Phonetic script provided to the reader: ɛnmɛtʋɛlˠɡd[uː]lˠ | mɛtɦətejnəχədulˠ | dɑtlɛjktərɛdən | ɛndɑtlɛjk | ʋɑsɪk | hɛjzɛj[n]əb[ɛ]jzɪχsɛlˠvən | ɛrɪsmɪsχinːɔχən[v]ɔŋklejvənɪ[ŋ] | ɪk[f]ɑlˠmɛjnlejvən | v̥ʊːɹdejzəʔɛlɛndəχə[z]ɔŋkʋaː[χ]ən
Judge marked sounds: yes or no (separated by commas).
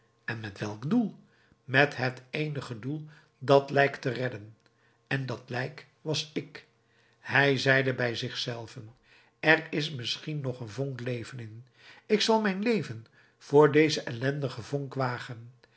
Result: no, no, yes, yes, no, no, no, yes